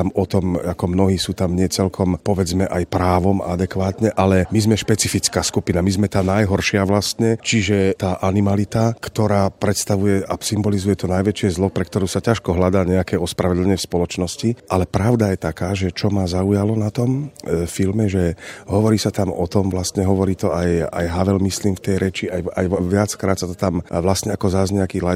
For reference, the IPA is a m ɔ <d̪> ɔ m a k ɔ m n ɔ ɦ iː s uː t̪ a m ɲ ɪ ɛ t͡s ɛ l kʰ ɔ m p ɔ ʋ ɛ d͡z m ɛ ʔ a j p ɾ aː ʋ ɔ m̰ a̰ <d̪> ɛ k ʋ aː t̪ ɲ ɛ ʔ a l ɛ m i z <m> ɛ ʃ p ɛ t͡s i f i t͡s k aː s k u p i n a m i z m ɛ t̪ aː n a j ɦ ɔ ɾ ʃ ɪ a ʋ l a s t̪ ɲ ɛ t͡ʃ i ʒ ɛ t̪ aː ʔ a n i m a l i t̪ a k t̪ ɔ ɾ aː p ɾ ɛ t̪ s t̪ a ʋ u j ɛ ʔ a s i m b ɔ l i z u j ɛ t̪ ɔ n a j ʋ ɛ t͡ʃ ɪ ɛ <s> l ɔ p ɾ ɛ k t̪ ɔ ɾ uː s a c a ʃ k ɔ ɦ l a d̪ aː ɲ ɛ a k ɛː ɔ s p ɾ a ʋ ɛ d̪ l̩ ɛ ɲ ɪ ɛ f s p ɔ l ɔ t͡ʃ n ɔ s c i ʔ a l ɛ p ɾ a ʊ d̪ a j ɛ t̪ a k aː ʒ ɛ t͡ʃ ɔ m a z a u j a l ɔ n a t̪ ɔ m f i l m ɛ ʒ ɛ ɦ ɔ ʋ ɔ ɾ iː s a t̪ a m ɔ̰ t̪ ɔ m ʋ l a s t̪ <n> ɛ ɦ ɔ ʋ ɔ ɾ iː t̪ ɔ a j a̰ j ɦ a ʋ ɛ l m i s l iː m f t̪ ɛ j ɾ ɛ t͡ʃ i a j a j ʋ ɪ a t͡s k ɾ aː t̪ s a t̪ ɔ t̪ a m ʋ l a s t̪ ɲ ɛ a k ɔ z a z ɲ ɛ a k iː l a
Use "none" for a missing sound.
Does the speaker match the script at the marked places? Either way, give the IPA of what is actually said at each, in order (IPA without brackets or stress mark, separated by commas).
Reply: t̪, d̪, m, z, ɲ